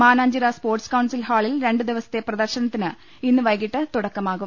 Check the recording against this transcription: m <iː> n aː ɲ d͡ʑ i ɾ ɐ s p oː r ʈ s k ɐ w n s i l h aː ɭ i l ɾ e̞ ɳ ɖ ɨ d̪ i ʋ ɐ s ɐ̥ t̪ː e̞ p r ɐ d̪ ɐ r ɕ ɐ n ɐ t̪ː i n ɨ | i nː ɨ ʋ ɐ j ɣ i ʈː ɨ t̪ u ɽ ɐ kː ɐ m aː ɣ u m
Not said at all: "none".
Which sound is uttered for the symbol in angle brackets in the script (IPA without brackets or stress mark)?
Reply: aː